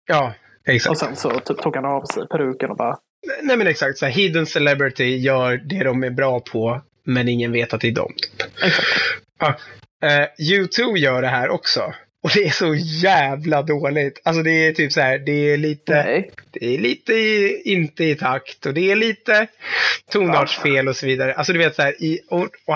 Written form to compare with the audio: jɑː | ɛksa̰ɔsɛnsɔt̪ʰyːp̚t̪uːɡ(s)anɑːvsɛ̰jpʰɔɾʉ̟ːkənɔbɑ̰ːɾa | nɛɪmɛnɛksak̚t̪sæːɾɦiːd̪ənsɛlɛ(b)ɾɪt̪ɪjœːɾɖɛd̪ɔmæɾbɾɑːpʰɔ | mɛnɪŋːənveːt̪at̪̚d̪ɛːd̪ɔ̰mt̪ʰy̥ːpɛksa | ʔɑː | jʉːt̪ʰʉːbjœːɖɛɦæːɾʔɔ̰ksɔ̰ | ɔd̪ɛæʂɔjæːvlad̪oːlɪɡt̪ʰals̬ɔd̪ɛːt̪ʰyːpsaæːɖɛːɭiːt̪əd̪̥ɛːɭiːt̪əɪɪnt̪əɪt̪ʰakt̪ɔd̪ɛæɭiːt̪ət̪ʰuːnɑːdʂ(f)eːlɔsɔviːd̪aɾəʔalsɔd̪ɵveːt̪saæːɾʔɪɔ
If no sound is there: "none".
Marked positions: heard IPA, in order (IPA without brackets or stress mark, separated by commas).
h, b, f